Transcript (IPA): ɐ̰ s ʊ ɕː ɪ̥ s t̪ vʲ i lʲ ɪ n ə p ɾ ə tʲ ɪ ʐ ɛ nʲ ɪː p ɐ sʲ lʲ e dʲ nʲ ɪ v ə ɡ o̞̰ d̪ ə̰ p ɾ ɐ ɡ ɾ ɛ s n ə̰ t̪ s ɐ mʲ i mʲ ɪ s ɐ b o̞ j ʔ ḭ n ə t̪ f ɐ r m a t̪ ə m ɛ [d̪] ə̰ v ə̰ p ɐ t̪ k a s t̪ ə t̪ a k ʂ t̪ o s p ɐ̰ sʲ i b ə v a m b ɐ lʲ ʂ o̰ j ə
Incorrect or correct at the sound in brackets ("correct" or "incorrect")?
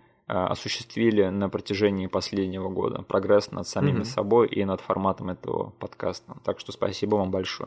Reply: incorrect